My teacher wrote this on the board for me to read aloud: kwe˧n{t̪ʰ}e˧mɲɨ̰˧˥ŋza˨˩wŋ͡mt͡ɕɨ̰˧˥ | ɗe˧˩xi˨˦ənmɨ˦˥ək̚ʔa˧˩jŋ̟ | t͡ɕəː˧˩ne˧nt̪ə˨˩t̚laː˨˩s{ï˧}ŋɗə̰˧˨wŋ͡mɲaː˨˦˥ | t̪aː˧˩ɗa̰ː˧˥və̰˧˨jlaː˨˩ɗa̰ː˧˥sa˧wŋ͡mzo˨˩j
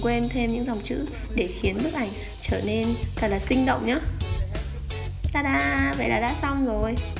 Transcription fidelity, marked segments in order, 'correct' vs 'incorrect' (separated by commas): correct, correct